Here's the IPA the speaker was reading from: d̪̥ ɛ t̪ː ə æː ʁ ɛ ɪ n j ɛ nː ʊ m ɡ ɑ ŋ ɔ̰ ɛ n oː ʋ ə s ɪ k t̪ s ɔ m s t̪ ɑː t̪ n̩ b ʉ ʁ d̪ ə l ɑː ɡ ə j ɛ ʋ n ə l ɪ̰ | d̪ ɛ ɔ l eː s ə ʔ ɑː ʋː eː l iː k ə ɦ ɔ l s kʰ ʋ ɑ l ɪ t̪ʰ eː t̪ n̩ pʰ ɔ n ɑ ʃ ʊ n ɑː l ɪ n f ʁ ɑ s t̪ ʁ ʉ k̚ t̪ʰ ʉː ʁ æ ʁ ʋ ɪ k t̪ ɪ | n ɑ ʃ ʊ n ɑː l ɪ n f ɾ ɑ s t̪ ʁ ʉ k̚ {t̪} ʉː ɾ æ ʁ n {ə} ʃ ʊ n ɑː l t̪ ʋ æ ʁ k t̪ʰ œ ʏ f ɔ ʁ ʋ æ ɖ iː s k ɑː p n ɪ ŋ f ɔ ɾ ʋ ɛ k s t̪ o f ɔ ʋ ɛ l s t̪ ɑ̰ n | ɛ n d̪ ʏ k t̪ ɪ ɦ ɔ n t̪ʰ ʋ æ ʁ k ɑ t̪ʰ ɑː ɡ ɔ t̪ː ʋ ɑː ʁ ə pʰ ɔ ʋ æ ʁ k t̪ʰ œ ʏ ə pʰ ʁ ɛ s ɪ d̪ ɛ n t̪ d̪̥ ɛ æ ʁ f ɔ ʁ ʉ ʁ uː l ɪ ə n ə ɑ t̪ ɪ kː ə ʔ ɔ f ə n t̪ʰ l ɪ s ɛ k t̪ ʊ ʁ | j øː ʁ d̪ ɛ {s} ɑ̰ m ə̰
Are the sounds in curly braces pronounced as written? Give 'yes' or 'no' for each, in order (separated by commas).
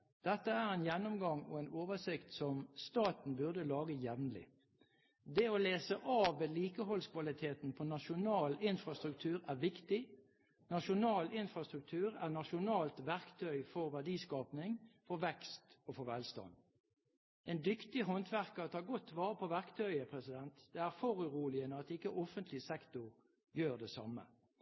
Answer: no, no, yes